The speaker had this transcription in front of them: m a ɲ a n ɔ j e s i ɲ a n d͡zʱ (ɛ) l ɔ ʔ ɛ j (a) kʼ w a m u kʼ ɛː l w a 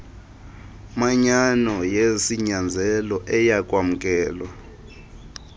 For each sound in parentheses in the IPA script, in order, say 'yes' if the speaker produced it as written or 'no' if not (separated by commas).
yes, yes